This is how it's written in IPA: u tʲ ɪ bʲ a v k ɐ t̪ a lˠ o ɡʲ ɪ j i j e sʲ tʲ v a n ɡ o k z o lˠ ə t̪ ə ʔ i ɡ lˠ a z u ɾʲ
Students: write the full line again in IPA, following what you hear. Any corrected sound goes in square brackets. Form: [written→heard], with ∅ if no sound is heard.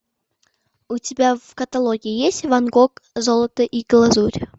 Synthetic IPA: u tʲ ɪ bʲ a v k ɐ t̪ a lˠ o ɡʲ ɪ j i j e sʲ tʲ v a n ɡ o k z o lˠ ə t̪ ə ʔ i ɡ lˠ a z u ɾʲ

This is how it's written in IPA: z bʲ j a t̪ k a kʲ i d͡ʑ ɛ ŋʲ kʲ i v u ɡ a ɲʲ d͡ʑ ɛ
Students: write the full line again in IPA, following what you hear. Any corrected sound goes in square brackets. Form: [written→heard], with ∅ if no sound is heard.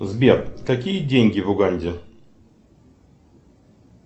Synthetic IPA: z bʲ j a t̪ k a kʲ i d͡ʑ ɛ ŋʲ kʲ i v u ɡ a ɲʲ d͡ʑ ɛ

